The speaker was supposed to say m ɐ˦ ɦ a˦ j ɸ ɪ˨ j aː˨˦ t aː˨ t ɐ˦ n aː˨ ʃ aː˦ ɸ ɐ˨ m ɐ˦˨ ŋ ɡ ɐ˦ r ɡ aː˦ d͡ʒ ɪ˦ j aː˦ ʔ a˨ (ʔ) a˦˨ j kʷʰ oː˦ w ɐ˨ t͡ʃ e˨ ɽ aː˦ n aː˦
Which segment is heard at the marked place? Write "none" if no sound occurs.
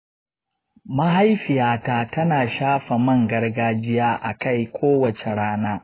k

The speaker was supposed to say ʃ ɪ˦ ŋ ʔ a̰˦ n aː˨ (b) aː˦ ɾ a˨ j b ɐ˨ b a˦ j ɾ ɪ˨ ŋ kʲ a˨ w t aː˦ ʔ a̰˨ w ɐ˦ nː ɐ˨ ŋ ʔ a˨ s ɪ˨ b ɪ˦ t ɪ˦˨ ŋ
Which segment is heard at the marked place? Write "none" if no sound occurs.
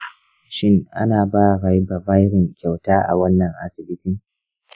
b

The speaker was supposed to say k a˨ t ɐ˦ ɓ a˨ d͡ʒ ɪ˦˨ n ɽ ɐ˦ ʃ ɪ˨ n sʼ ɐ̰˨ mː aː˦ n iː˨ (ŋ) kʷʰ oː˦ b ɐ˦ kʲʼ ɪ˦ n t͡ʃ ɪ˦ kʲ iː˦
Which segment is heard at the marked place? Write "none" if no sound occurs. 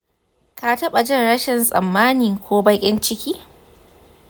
ŋ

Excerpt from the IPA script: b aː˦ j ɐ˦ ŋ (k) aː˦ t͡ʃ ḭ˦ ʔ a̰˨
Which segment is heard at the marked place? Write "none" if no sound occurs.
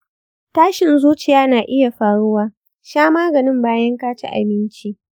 k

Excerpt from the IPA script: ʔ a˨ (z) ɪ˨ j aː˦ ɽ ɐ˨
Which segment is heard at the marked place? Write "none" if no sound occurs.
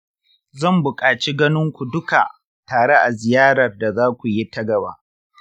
z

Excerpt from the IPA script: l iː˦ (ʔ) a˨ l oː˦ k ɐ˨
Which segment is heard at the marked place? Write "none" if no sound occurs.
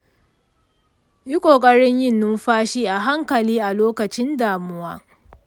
ʔ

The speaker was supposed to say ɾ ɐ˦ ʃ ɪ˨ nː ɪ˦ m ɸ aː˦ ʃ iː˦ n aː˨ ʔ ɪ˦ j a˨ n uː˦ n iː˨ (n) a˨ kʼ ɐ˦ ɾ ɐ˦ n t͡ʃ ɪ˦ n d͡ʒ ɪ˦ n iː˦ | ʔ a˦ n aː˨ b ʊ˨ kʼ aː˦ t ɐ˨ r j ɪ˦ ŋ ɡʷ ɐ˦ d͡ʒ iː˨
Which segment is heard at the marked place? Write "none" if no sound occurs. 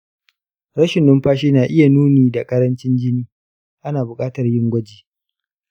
d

